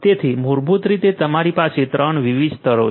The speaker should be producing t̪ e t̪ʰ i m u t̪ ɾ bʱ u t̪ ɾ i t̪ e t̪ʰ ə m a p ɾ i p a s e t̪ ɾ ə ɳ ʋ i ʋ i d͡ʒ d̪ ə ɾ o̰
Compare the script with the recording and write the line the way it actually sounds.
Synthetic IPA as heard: t̪ e t̪ʰ i m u ɾ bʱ u t̪ ɾ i t̪ e t̪ ə m a ɾ i p a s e t̪ ɾ ə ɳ ʋ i ʋ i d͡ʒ t̪ ə ɾ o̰